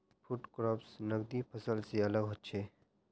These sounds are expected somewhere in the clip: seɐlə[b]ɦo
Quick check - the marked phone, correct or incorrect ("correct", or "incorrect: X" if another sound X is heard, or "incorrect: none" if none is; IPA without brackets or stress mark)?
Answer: incorrect: ɡ